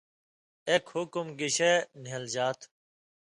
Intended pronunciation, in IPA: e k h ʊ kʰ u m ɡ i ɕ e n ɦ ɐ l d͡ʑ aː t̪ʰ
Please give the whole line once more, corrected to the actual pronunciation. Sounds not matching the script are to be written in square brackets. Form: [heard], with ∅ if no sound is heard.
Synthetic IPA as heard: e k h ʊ [k] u m ɡ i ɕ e n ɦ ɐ l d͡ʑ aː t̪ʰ